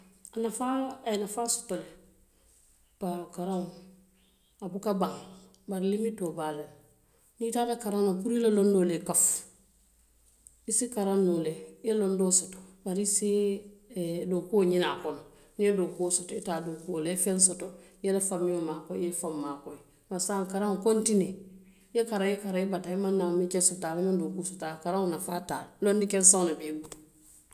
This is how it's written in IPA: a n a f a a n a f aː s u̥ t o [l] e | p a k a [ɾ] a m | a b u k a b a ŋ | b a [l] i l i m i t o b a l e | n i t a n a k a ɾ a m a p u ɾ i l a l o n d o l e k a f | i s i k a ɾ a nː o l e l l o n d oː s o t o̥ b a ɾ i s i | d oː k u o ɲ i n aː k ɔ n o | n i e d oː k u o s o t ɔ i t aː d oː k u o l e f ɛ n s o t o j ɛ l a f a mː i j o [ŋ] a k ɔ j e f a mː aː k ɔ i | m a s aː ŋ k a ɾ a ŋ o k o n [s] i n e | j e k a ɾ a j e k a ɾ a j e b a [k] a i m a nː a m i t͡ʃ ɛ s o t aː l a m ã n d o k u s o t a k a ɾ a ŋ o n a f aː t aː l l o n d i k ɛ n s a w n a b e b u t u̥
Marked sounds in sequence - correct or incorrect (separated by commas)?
correct, correct, incorrect, incorrect, incorrect, incorrect